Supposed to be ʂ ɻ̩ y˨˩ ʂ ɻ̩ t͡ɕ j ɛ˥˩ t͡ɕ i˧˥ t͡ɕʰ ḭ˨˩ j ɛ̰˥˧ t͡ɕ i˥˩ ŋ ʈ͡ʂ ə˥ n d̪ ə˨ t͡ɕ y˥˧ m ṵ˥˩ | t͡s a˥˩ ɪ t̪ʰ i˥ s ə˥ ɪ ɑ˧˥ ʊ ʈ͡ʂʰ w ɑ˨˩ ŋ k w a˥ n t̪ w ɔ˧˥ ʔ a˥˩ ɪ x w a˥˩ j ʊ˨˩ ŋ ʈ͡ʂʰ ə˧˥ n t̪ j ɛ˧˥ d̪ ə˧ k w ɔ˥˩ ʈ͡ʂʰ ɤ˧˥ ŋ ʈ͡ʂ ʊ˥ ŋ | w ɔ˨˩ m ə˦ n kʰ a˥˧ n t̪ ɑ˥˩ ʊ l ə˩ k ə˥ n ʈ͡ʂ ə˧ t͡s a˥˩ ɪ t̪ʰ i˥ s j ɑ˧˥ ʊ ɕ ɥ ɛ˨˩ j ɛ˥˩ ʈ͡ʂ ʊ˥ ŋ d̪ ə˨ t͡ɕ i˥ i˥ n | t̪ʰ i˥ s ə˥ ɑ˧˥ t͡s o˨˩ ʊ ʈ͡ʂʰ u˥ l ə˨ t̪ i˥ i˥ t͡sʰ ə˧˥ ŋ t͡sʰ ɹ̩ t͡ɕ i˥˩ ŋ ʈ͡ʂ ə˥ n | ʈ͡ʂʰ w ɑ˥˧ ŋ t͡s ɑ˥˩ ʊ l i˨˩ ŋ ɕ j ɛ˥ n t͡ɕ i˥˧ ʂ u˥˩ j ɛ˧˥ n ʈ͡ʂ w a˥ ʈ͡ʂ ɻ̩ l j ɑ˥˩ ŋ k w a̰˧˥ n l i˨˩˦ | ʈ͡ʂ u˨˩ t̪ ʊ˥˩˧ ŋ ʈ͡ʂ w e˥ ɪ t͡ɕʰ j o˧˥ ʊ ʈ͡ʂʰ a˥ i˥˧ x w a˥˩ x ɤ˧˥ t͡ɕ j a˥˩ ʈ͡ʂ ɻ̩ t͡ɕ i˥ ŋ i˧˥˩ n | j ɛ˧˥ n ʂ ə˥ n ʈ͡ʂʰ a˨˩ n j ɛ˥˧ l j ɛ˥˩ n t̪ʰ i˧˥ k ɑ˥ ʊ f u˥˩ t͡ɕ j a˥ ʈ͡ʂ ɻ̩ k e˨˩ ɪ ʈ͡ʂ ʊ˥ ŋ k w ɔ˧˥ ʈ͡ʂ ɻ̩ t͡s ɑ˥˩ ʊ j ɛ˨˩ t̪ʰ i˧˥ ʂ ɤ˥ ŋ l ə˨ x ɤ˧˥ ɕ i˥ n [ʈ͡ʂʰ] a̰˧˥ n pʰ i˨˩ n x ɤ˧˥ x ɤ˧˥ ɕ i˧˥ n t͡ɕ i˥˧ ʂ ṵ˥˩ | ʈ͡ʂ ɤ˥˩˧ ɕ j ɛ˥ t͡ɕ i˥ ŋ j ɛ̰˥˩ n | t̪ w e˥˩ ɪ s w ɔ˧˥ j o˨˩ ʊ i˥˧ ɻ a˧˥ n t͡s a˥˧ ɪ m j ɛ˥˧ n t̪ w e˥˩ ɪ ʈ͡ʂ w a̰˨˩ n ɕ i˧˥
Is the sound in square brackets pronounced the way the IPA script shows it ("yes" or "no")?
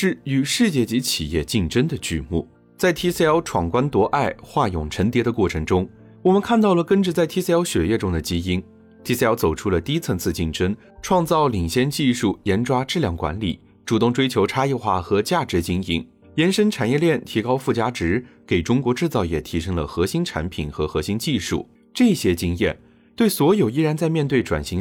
yes